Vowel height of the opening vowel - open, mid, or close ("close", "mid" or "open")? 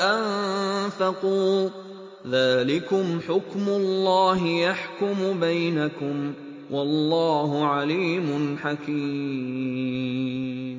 open